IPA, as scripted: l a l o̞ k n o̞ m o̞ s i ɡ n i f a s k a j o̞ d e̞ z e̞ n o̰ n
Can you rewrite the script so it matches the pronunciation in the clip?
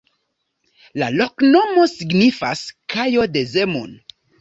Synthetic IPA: l a l o̞ k n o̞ m o̞ s i ɡ n i f a s k a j o̞ d e̞ z e̞ m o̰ n

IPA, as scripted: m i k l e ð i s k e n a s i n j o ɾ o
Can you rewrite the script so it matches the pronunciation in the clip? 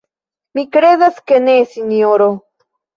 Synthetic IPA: m i k ɾ e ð a s k e n e s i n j o ɾ o

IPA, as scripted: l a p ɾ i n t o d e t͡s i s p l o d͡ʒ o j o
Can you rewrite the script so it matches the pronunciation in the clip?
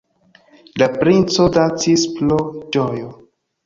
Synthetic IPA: l a p ɾ i n t͡s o d a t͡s i s p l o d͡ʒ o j o

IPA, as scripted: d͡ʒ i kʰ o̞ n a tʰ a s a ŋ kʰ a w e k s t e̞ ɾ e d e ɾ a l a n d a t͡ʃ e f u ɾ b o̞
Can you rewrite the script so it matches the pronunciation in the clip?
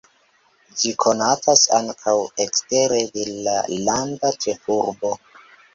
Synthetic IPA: d͡ʒ i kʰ o̞ n a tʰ a s a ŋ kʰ a w e k s t e̞ ɾ e d e l a l a n d a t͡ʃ e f u ɾ b o̞

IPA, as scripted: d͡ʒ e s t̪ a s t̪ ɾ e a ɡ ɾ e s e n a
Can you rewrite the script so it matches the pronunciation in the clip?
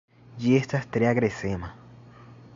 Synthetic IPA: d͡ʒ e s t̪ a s t̪ ɾ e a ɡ ɾ e s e m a

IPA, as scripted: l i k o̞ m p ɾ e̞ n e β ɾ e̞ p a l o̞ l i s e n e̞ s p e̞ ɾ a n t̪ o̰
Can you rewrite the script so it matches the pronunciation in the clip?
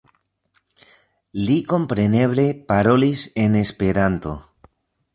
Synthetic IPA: l i k o̞ m p ɾ e̞ n e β l e̞ p a ɾ o̞ l i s e n e̞ s p e̞ ɾ a n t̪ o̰

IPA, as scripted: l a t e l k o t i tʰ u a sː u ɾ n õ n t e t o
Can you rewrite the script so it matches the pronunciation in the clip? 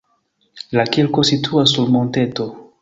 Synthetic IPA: l a k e l k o s i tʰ u a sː u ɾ m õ n t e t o

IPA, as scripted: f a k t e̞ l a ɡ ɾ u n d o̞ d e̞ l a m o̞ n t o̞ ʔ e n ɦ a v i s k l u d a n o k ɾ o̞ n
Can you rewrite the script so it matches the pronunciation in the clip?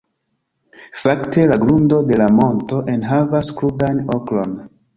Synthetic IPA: f a k t e̞ l a ɡ ɾ u n d o̞ d e̞ l a m o̞ n t o̞ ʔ e n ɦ a v a s k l u d a n o k l o̞ n

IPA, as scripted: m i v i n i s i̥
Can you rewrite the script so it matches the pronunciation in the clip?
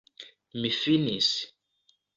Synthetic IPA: m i f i n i s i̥

